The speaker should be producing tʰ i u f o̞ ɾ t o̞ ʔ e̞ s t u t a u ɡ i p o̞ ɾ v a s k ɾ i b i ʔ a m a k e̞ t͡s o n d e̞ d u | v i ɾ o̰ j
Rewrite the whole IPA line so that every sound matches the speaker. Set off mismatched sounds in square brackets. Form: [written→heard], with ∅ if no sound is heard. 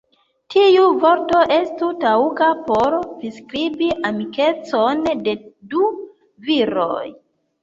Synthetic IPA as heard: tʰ i u [f→v] o̞ ɾ t o̞ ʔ e̞ s t u t a u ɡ [i→a] p o̞ ɾ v [a→i] s k ɾ i b i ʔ a m [a→i] k e̞ t͡s o n d e̞ d u | v i ɾ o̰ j